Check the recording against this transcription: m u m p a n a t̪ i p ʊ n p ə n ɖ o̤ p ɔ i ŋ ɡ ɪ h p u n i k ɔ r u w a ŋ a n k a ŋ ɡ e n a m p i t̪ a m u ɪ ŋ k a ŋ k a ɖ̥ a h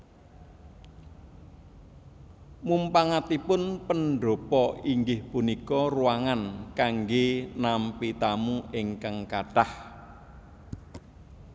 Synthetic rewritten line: m u m p a ŋ a t̪ i p ʊ n p ə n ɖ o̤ p ɔ i ŋ ɡ ɪ h p u n i k ɔ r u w a ŋ a n k a ŋ ɡ e n a m p i t̪ a m u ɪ ŋ k a ŋ k a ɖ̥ a h